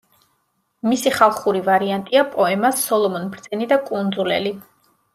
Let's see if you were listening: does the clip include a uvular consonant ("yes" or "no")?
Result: yes